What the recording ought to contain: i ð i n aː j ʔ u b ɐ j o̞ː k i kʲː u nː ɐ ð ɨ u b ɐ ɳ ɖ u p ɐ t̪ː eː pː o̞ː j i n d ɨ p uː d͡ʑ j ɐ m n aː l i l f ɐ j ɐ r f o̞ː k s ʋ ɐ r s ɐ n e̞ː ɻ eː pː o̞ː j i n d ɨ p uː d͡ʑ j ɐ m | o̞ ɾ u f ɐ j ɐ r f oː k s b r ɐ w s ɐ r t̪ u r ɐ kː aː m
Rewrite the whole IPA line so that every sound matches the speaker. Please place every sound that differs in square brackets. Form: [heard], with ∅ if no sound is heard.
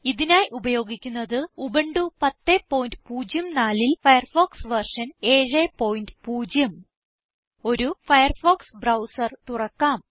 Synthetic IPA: i ð i n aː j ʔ u b ɐ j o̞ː [ɡ] i kʲː u nː ɐ ð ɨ u b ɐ ɳ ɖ u p ɐ t̪ː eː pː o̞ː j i n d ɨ p uː d͡ʑ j ɐ m n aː l i l f ɐ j ɐ r f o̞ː k s ʋ ɐ r [ʂ] ɐ n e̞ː ɻ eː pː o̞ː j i n d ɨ p uː d͡ʑ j ɐ m | o̞ ɾ u f ɐ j ɐ r f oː k s b r ɐ w s ɐ r t̪ u r ɐ kː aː m